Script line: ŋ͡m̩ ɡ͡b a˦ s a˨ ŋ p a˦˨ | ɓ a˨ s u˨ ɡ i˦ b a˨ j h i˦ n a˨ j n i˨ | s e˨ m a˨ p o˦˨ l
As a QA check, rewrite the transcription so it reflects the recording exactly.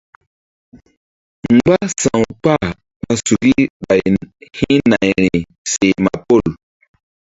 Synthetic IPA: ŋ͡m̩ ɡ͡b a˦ s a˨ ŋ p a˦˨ | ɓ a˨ s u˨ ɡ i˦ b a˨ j h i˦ n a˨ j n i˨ | s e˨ m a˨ p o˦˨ l